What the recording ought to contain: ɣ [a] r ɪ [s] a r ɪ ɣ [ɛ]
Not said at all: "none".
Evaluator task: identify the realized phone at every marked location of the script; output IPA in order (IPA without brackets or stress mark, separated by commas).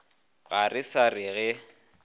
a, s, ɛ